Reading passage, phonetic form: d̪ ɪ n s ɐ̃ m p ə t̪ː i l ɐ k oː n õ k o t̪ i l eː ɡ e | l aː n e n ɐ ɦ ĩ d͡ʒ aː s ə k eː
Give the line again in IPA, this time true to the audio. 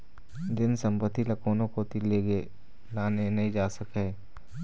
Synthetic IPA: d̪ ɪ n s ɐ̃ m p ə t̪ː i l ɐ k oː n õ k o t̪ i l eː ɡ e | l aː n e n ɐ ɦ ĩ d͡ʒ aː s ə k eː

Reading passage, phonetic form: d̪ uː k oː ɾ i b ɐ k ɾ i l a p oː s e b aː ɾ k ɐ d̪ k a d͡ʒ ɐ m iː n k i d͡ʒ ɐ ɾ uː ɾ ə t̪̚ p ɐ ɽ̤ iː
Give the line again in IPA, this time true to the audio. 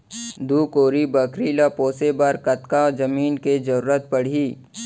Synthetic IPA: d̪ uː k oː ɾ i b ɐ k ɾ i l a p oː s e b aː ɾ k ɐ t̪ k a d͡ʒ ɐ m iː n k e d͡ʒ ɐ ɾ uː ɾ ə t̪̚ p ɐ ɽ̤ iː

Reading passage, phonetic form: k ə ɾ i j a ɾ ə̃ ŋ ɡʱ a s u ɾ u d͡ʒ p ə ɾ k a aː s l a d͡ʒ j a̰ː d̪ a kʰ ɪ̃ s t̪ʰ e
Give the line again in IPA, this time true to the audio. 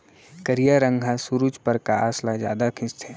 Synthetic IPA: k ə ɾ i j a ɾ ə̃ ŋ ɡʱ a s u ɾ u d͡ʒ p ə ɾ k a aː s l a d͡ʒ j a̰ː d̪ a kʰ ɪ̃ s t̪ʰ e

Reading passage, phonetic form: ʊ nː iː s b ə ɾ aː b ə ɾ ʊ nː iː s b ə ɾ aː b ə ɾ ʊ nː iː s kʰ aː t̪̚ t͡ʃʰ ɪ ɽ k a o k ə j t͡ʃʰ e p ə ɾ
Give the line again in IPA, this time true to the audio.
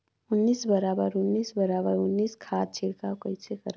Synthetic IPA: ʊ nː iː s b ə ɾ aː b ə ɾ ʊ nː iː s b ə ɾ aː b ə ɾ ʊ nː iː s kʰ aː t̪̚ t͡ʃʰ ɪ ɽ k a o k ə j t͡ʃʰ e k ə ɾ

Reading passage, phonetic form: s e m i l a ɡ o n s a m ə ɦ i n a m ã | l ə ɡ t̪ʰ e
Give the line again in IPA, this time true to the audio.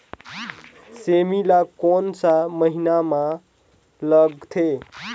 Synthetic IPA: s e m i l a k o n s a m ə ɦ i n a m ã | l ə ɡ t̪ʰ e

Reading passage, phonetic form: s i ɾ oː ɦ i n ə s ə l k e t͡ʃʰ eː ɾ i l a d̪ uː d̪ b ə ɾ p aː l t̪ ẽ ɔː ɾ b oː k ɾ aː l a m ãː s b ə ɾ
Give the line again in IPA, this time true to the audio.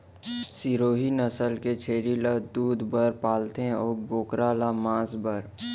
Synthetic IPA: s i ɾ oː ɦ i n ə s ə l k e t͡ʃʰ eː ɾ i l a d̪ uː d̪ b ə ɾ p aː l t̪ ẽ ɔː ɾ b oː k ɾ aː l a m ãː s b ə ɾ

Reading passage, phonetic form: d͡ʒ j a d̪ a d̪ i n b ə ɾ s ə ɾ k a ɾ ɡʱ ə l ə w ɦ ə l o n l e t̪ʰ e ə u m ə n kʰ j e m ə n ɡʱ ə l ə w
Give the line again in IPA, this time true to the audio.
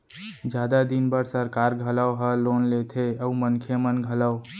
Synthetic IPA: d͡ʒ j a d̪ a d̪ i n b ə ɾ s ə ɾ k a ɾ ɡʱ ə l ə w ɦ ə l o n l e t̪ʰ e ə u m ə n kʰ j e m ə n ɡʱ ə l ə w

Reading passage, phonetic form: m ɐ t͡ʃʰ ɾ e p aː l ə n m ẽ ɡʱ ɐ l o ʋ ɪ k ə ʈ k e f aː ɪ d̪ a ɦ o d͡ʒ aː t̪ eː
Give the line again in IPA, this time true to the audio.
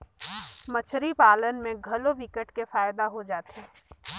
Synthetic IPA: m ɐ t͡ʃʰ ɾ i p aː l ə n m ẽ ɡʱ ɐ l o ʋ ɪ k ə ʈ k e f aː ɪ d̪ a ɦ o d͡ʒ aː t̪ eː

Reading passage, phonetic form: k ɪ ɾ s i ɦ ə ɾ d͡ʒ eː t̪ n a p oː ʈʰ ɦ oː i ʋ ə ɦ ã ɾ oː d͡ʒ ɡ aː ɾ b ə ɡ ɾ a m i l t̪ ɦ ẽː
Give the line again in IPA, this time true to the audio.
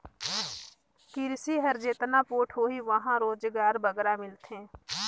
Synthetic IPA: k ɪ ɾ s i ɦ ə ɾ d͡ʒ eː t̪ n a p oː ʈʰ ɦ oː i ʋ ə ɦ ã ɾ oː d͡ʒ ɡ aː ɾ b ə ɡ ɾ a m ɪ l t̪ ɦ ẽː

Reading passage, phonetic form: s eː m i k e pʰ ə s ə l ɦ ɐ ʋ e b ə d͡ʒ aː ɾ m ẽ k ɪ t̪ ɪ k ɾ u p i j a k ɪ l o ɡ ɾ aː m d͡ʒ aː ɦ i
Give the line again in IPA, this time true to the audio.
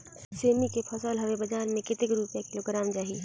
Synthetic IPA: s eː m i k e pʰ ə s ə l ɦ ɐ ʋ e b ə d͡ʒ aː ɾ m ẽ k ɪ t̪ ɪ k ɾ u p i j a k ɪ l o ɡ ɾ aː m d͡ʒ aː ɦ i

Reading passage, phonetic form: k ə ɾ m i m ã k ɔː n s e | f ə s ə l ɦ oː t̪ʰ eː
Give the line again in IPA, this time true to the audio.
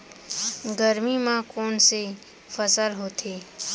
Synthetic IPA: ɡ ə ɾ m i m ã k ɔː n s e | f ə s ə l ɦ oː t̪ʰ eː

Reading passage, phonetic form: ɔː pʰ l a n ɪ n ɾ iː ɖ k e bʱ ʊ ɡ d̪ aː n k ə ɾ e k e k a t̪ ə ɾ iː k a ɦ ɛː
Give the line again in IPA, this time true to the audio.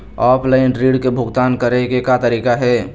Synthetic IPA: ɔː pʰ l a ɪ n ɾ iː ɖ k e bʱ ʊ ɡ t̪ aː n k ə ɾ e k e k a t̪ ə ɾ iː k a ɦ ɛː

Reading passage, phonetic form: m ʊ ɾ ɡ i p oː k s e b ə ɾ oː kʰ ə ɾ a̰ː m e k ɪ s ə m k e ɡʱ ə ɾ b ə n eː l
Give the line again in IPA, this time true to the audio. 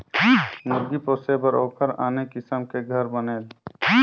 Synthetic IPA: m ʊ ɾ ɡ i p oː s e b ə ɾ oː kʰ ə ɾ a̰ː n e k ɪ s ə m k e ɡʱ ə ɾ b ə n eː l

